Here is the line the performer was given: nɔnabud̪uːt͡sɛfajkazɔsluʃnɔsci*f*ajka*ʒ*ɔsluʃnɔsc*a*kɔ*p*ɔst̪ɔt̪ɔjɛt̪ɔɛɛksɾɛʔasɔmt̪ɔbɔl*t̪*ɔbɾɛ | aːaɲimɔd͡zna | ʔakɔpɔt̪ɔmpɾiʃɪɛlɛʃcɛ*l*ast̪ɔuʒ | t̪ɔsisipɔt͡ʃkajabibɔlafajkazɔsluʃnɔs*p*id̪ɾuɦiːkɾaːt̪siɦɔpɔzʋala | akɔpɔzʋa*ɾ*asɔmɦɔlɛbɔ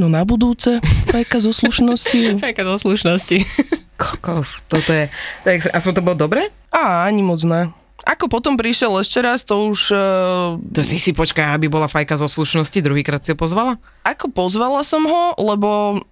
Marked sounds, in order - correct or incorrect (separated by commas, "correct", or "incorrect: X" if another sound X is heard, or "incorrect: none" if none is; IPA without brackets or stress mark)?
correct, incorrect: z, incorrect: i, incorrect: k, incorrect: d̪, incorrect: ɾ, incorrect: c, incorrect: l